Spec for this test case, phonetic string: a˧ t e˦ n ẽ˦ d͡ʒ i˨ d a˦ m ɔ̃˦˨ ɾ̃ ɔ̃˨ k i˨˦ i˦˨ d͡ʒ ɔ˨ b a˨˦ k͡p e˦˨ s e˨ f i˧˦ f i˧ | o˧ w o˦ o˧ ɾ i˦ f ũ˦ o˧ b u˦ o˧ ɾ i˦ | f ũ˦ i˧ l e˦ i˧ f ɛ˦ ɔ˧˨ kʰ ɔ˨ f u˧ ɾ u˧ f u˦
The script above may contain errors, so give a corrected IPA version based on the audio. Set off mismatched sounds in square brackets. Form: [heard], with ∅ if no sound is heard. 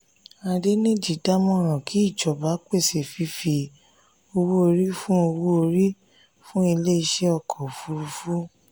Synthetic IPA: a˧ [d] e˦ n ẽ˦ d͡ʒ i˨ d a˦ m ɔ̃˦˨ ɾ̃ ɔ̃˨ k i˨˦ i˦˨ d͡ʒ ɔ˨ b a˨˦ k͡p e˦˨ s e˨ f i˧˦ f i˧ | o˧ w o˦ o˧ ɾ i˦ f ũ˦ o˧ [w] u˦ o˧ ɾ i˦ | f ũ˦ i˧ l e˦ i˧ [ʃ] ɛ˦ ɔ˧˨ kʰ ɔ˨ f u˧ ɾ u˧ f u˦